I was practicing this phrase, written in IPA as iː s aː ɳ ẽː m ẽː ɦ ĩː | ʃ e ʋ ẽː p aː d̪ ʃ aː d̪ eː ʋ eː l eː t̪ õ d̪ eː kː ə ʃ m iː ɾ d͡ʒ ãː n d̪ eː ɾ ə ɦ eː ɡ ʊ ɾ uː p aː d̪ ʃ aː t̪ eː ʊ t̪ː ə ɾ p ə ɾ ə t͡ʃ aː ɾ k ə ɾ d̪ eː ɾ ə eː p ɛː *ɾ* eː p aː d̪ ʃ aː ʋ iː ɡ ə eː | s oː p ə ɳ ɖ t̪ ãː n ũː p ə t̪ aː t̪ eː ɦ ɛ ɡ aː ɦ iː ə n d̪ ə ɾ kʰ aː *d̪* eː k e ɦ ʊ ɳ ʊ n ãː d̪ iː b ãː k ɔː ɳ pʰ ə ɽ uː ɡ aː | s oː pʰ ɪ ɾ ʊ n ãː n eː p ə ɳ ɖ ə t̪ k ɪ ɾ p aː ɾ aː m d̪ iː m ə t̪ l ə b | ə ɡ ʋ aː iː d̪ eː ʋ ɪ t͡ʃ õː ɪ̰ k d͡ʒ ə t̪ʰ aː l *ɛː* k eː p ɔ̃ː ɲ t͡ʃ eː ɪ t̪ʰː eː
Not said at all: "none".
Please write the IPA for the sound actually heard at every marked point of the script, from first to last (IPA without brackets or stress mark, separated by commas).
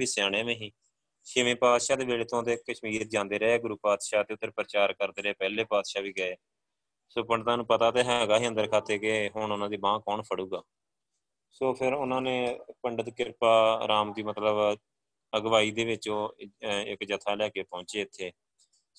l, t̪, ɛː